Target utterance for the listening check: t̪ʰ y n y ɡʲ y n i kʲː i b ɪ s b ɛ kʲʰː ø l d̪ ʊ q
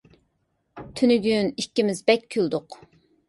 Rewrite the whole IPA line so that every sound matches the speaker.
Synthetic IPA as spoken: t̪ʰ y n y ɡʲ y n i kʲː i m ɪ z b ɛ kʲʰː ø l d̪ ʊ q